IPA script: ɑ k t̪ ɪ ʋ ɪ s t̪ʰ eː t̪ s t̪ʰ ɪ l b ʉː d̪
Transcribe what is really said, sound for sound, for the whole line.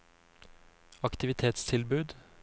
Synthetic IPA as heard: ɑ k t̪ ɪ ʋ ɪ t̪ʰ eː t̪ s t̪ʰ ɪ l b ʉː d̪